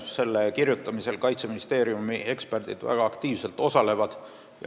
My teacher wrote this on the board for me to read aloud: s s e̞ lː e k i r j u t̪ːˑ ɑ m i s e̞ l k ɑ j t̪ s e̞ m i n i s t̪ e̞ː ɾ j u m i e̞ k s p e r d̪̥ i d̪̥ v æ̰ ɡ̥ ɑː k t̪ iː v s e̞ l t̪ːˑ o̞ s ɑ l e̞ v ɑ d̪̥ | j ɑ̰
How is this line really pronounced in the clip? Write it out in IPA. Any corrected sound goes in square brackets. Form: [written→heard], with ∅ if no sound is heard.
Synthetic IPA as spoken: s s e̞ lː e k i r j u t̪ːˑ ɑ m i s e̞ l k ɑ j t̪ s e̞ m i n i s t̪ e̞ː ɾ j u m i e̞ k s p e r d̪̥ i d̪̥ v æ̰ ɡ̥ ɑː k t̪ iː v s e̞ l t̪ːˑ o̞ s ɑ l e̞ v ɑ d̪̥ | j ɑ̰